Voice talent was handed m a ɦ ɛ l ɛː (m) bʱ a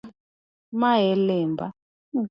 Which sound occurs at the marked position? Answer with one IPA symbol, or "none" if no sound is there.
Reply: m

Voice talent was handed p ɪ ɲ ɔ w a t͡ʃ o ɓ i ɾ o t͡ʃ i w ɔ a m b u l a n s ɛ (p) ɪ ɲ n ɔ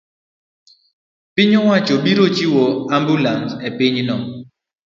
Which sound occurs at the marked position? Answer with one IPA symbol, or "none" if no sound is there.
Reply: p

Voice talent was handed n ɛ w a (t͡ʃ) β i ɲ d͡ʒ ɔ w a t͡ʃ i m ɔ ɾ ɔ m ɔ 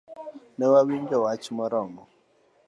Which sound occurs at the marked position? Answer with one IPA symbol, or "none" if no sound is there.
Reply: none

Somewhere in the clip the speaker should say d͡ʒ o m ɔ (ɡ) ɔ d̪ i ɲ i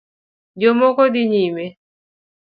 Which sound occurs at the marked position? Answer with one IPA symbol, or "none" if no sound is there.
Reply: k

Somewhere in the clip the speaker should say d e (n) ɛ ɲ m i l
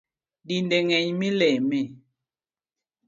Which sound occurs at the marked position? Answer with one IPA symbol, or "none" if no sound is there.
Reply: ŋ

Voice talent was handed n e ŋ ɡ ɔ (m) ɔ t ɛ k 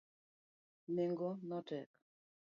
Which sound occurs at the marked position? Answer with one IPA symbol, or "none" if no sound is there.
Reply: n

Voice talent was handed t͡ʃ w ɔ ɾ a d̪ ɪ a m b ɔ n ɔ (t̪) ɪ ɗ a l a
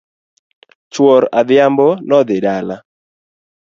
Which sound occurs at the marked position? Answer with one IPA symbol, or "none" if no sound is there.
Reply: d̪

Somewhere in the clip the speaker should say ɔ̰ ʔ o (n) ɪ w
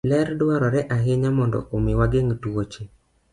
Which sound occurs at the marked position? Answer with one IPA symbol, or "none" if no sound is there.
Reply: m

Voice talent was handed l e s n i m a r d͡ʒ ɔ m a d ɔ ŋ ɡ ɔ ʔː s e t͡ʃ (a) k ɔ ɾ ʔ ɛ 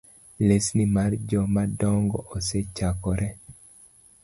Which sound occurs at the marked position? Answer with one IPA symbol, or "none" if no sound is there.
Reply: a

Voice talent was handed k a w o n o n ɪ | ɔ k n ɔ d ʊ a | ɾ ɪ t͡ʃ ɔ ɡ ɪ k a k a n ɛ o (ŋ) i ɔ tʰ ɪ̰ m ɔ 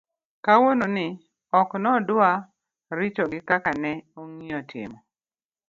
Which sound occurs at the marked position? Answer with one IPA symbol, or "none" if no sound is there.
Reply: ŋ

